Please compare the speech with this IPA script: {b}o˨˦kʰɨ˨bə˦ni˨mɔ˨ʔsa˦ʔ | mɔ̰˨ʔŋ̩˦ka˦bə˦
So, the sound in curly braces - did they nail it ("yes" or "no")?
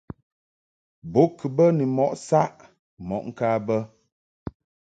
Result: yes